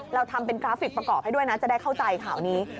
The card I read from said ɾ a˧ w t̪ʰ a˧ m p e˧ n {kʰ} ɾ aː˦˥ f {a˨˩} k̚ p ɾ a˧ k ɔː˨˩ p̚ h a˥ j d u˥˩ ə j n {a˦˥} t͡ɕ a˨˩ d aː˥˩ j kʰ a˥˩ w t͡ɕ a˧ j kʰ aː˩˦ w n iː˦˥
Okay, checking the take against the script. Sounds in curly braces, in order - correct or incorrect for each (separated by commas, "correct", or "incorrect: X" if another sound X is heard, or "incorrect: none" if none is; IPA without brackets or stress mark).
incorrect: k, incorrect: i˨˩, correct